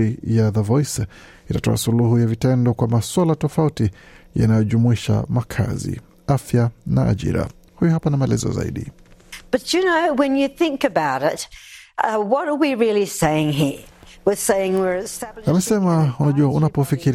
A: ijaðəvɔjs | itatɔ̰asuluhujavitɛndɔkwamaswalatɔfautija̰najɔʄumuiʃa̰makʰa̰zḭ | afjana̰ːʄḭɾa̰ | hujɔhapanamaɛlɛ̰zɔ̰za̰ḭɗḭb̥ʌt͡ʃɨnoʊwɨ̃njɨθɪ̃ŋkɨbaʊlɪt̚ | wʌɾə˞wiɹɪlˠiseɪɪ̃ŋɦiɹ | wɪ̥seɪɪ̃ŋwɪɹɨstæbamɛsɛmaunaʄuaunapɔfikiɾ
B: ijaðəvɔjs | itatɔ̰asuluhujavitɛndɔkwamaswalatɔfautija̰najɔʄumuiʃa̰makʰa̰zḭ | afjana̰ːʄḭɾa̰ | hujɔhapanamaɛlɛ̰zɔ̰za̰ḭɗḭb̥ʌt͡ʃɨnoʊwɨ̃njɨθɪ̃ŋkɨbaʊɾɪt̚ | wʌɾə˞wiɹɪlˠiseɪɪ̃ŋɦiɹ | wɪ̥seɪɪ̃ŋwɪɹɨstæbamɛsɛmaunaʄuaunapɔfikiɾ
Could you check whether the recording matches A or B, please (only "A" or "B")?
B